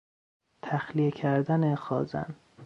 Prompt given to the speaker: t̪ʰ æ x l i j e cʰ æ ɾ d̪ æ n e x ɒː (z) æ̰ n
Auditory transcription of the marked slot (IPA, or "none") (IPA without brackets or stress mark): z